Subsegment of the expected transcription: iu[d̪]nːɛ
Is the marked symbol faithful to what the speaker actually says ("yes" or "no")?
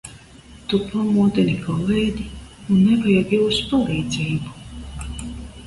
no